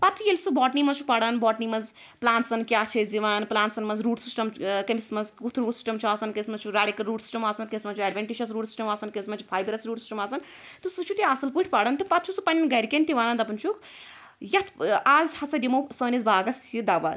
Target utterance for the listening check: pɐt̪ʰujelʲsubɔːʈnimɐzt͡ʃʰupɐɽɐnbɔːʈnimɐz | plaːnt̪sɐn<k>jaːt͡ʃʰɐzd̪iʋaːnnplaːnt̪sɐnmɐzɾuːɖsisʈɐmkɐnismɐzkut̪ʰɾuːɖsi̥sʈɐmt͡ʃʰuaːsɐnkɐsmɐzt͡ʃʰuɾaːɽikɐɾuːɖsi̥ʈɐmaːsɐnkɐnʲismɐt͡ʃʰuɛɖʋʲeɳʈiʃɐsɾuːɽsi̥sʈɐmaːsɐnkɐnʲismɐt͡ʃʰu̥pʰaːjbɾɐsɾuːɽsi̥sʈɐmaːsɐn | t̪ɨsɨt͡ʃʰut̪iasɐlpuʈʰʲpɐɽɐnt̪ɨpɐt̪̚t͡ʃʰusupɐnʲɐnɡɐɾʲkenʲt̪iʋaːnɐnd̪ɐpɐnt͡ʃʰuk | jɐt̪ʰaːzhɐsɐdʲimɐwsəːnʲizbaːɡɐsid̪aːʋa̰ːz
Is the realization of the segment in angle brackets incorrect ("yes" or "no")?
no